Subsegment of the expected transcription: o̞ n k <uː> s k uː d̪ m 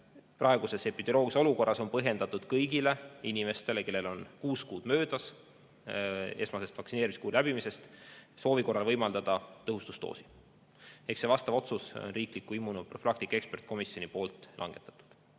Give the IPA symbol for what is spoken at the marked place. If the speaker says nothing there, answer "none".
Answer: uː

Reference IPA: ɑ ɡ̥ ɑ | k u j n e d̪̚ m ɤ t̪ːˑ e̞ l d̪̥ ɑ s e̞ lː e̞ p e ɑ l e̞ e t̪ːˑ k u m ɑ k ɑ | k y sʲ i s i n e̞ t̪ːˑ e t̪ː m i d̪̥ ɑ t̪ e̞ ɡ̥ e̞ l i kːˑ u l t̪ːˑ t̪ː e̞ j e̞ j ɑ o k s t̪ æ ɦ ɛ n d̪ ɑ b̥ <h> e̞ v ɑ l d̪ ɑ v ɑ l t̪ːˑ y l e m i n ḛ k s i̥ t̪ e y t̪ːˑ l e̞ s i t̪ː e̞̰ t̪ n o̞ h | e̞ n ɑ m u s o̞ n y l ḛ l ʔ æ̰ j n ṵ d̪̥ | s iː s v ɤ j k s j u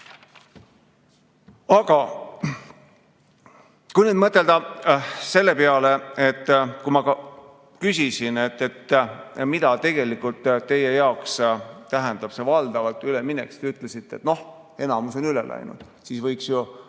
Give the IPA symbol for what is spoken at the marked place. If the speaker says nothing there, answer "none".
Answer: s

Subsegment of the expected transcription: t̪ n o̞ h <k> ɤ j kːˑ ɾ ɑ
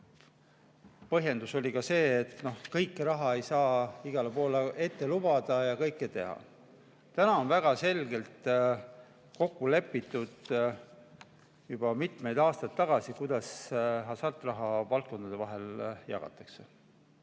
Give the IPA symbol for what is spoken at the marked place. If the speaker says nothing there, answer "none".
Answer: k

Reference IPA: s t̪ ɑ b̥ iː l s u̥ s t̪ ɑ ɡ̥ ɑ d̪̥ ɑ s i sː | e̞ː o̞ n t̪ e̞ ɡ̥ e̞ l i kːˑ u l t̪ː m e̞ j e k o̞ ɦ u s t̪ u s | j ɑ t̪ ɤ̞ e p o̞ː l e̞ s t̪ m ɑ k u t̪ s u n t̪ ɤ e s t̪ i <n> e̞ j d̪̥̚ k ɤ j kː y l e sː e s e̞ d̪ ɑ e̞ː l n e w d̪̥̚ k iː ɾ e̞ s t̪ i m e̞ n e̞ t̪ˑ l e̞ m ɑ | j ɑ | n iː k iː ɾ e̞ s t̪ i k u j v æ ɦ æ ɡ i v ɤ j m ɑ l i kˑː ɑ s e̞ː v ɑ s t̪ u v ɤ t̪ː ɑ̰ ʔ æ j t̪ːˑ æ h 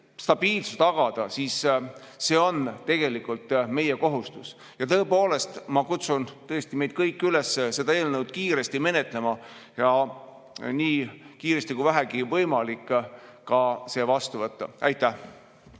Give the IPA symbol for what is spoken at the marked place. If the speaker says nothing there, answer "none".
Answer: m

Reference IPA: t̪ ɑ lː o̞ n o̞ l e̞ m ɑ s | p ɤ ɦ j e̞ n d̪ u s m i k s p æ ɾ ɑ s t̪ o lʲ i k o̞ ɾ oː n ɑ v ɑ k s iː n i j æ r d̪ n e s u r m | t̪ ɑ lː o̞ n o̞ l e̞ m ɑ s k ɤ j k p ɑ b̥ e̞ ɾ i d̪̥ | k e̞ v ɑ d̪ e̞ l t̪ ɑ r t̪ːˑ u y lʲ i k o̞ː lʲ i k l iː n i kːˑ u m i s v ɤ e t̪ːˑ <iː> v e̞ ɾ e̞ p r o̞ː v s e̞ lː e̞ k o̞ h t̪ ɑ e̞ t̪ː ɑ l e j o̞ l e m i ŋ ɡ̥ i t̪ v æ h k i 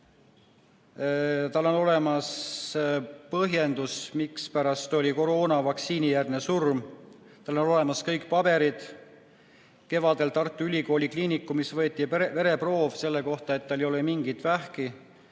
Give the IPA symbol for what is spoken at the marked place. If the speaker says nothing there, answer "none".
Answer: i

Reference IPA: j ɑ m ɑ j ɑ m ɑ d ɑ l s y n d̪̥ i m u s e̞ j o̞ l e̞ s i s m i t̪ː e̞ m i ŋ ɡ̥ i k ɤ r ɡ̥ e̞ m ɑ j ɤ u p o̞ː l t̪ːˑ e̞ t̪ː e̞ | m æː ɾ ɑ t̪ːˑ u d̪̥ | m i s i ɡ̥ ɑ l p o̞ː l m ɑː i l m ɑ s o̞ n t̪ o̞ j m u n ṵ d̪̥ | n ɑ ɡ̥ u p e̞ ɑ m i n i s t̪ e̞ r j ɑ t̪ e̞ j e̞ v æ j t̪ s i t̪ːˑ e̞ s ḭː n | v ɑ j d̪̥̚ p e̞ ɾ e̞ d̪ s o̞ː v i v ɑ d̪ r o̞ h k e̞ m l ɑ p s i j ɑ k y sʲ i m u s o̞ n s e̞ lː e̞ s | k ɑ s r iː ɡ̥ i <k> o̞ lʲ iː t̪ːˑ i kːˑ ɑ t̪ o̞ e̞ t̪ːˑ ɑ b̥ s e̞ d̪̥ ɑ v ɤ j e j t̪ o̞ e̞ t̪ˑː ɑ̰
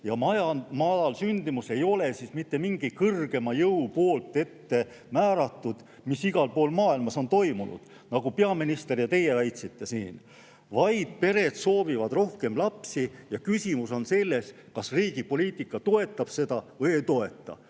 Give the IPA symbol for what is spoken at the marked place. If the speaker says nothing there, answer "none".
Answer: p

